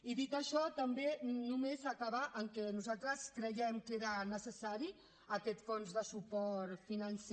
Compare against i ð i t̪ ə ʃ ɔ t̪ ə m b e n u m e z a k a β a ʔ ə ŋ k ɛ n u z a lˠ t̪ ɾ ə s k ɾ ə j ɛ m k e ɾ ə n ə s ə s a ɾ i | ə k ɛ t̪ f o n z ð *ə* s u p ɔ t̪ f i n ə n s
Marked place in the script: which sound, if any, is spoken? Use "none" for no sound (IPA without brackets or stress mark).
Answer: ə